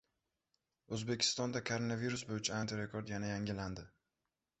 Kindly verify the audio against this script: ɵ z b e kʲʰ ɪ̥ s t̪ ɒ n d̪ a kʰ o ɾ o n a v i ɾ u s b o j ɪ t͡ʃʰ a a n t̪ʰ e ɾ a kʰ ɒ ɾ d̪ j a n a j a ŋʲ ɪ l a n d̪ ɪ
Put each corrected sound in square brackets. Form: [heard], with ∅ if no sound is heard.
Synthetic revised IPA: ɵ z b e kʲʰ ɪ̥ s t̪ ɒ n d̪ a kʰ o ɾ o n a v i ɾ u s b o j ɪ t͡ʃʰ a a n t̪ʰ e ɾ [e] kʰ [o] ɾ d̪ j a n a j a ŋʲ ɪ l a n d̪ ɪ